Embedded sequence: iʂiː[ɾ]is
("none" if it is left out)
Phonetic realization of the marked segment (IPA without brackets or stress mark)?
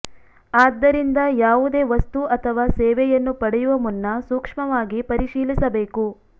l